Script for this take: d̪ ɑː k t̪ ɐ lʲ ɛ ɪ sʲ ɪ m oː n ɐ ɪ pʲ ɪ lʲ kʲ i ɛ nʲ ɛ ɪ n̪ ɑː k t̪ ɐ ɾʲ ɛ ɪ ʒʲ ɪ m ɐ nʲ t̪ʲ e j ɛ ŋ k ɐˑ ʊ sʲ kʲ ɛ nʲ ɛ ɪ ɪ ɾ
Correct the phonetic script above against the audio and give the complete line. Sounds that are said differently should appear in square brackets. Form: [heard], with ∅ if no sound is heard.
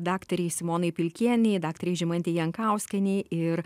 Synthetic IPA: d̪ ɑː k t̪ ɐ [ɾʲ] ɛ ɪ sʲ ɪ m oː n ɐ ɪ pʲ ɪ lʲ kʲ i ɛ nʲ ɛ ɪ [d̪] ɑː k t̪ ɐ ɾʲ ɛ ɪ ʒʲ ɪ m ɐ nʲ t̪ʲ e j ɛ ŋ k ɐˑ ʊ sʲ kʲ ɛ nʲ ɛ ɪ ɪ ɾ